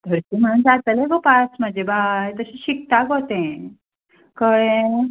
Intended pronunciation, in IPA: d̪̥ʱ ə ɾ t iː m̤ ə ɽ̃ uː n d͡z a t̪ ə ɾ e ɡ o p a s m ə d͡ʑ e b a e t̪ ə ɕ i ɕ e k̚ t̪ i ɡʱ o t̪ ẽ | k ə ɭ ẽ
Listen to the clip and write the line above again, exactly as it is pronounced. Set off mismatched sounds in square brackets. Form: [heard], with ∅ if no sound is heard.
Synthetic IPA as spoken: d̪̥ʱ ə ɾ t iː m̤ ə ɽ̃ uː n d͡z a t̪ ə [l] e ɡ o p a s m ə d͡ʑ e b a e t̪ ə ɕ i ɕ [i] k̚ t̪ [a] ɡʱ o t̪ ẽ | k ə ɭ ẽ